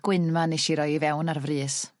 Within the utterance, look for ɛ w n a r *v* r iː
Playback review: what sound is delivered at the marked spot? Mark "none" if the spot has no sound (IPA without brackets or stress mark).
v